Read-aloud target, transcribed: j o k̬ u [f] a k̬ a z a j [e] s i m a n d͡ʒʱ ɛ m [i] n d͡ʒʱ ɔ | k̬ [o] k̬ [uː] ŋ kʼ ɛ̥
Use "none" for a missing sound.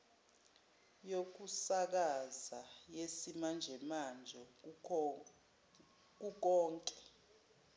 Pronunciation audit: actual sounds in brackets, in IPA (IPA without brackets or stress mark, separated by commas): s, e, a, u, ɔː